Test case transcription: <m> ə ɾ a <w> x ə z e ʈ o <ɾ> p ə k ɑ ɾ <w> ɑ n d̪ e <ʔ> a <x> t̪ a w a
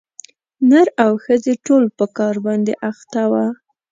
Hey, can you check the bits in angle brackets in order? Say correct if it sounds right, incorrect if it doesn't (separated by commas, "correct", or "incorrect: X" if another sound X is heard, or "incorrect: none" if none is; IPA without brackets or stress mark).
incorrect: n, correct, incorrect: l, incorrect: b, correct, correct